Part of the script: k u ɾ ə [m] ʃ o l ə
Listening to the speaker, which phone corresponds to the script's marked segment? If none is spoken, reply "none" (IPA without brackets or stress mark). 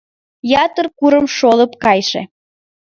m